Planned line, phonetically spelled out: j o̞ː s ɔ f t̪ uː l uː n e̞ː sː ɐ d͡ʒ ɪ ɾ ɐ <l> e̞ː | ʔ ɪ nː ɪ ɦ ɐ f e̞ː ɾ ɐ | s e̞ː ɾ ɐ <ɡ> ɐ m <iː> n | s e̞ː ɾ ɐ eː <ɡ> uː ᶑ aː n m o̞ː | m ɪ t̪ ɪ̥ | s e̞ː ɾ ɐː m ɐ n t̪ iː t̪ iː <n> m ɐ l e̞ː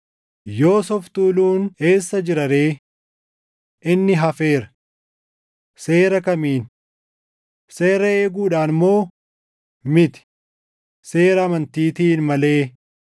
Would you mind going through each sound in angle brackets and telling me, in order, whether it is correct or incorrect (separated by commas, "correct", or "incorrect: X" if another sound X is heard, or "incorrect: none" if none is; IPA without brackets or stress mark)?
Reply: incorrect: ɾ, incorrect: k, correct, correct, correct